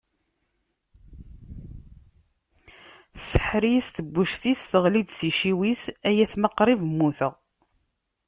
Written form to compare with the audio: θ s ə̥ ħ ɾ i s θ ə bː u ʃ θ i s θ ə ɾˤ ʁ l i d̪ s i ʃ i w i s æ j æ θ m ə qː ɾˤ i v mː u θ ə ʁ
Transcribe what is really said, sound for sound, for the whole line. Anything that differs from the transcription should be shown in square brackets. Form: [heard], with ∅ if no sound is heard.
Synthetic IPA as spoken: θ s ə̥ ħ ɾ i s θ ə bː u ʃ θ i s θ ə [∅] ʁ l i d̪ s i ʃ i w i s æ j æ θ m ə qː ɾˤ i v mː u θ ə ʁ